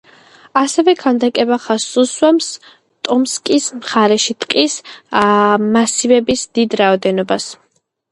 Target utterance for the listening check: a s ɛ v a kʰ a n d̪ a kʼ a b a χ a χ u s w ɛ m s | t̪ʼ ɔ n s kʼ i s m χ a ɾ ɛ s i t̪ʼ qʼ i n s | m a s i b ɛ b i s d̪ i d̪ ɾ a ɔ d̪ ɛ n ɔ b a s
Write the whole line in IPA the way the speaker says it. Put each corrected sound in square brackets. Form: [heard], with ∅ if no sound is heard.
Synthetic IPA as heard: a s ɛ v [ɛ] kʰ a n d̪ a kʼ [ɛ] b a χ a [s] u s w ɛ m s | t̪ʼ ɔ [m] s kʼ i s m χ a ɾ ɛ [ʃ] i t̪ʼ qʼ i [∅] s | m a s i [v] ɛ b i s d̪ i d̪ ɾ a ɔ d̪ ɛ n ɔ b a s